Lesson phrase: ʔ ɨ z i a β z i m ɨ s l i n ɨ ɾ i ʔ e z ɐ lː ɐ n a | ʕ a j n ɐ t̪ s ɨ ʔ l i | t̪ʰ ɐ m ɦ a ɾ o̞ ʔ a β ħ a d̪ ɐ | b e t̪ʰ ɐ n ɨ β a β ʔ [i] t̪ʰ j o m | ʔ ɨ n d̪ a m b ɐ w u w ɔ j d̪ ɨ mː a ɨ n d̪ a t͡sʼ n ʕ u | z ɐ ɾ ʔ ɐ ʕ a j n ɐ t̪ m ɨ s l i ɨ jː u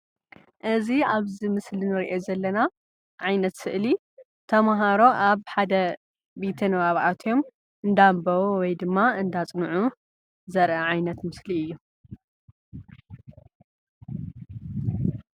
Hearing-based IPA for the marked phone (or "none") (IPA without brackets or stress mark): a